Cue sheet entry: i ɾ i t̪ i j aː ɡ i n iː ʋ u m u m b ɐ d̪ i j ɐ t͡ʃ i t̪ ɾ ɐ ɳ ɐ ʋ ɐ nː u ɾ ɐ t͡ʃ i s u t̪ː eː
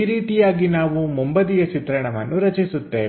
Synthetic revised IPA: i ɾ iː t̪ i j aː ɡ i n aː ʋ u m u m b ɐ d̪ i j ɐ t͡ʃ i t̪ ɾ ɐ ɳ ɐ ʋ ɐ nː u ɾ ɐ t͡ʃ i s u t̪ː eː